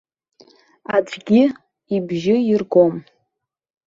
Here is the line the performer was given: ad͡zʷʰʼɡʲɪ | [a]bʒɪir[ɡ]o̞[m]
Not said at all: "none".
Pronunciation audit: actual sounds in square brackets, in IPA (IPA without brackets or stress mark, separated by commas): i, ɡ, m